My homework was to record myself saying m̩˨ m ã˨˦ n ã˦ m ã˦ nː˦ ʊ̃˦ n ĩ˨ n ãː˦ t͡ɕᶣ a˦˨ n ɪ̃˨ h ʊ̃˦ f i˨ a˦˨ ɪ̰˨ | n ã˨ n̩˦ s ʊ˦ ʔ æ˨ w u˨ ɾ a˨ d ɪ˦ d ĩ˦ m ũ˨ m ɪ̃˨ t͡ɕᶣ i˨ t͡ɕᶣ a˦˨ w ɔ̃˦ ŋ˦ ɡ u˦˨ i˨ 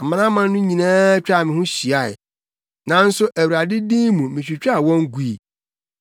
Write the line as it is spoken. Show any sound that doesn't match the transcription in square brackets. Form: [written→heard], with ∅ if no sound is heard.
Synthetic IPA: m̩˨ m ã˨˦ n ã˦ m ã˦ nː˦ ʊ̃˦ [n→ɲ] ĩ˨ n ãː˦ t͡ɕᶣ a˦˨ [n→m] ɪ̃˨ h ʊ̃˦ [f→ɕ] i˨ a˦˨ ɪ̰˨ | n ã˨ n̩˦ s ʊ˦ ʔ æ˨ w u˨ ɾ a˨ d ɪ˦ d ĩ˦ m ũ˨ m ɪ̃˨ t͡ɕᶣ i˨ t͡ɕᶣ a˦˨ w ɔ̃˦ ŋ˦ ɡ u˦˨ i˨